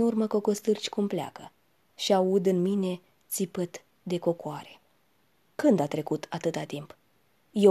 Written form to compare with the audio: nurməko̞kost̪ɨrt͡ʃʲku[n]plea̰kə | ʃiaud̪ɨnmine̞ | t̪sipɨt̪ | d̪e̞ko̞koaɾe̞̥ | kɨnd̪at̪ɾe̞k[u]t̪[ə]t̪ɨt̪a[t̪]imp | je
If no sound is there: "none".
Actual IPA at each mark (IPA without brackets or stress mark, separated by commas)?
m, u, a, t̪